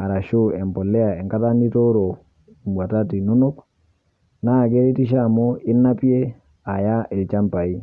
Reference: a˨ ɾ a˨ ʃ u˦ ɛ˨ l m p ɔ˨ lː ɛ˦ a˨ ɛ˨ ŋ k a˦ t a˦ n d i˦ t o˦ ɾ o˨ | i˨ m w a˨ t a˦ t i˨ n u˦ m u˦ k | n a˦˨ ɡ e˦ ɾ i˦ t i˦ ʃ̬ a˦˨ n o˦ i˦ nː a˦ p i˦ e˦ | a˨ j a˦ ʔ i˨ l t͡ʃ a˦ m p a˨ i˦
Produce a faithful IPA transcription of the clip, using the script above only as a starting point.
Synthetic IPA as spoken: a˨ ɾ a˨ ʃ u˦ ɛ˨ m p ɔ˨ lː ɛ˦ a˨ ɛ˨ ŋ k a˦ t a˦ n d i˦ t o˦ ɾ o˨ | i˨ m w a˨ t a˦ t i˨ n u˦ n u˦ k | n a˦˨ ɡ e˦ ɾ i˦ t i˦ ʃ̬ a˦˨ m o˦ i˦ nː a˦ p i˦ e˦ | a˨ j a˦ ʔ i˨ l t͡ʃ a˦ m p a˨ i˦